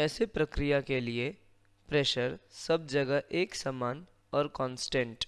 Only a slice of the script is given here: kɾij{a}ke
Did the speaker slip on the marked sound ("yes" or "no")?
no